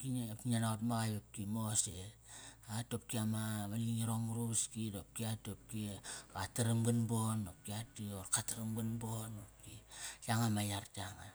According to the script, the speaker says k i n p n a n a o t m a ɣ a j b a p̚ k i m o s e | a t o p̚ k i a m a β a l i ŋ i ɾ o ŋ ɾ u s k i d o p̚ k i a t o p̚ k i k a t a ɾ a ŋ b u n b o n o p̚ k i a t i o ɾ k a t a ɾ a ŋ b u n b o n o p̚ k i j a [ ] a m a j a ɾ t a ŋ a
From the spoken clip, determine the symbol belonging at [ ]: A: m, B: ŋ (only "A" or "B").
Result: B